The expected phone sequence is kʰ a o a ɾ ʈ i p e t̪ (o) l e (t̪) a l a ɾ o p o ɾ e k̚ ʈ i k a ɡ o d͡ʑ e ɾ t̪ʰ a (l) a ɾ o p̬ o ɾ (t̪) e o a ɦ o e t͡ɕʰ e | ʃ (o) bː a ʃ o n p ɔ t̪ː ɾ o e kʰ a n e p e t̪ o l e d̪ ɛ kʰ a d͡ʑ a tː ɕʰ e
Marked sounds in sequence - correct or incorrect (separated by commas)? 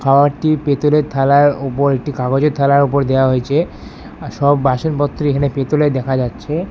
correct, incorrect, correct, incorrect, incorrect